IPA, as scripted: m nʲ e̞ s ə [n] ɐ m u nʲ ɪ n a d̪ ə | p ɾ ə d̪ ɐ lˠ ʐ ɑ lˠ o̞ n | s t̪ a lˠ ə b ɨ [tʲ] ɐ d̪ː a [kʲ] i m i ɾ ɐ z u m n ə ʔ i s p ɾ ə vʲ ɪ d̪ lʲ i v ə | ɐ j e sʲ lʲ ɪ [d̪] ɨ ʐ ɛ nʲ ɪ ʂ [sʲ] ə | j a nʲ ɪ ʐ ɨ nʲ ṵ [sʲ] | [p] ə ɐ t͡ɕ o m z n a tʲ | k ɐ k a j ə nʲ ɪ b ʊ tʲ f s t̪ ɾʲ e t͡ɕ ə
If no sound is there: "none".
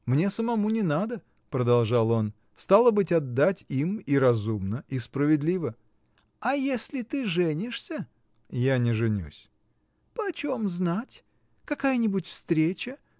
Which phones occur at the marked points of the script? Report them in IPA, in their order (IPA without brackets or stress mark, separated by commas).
m, tʲ, tʲ, t̪, sʲ, sʲ, p